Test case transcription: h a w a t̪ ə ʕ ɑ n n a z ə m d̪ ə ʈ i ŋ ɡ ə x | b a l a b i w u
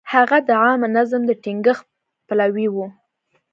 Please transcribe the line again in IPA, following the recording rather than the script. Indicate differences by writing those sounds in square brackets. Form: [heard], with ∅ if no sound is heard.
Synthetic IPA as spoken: h a [ɣ] a [d̪] ə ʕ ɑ [m] n a z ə m d̪ ə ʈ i ŋ ɡ ə x | [p] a l a [w] i w u